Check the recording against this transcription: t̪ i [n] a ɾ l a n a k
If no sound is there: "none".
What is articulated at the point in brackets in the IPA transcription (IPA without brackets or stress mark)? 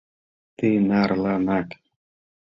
n